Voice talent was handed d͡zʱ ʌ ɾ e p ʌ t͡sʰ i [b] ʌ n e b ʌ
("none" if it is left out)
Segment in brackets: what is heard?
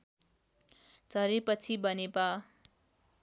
b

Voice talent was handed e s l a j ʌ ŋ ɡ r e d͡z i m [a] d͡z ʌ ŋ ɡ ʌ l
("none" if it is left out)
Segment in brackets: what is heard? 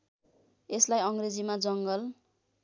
a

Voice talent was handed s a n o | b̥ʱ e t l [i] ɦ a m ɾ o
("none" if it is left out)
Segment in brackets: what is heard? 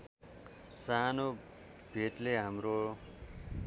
e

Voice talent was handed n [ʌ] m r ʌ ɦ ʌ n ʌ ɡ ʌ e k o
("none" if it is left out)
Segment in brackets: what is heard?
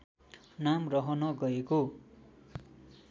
a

